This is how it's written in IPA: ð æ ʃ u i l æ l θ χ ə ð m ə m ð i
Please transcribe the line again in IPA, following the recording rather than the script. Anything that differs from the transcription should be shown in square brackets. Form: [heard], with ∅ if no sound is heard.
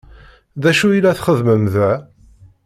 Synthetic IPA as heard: ð æ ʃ u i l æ [∅] θ χ ə ð m ə m ð [æ]